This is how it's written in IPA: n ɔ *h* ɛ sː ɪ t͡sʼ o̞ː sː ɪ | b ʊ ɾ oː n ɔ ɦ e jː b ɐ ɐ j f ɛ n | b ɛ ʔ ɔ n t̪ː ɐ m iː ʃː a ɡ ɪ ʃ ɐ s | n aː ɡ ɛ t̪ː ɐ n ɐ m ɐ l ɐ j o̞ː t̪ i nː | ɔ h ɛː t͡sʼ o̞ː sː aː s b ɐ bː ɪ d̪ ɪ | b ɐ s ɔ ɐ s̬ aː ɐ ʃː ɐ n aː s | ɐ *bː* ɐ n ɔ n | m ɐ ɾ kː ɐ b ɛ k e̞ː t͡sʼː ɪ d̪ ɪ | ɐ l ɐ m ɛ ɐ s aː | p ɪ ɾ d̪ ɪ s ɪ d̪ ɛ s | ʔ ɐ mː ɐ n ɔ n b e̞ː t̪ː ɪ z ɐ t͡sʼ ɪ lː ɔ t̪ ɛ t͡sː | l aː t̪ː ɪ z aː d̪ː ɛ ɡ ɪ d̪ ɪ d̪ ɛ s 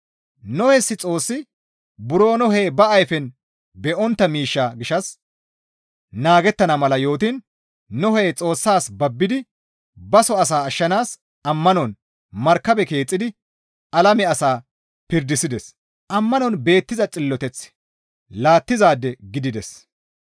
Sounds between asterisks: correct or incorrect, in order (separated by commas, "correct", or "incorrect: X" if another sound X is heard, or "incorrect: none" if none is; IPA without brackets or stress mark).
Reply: correct, incorrect: mː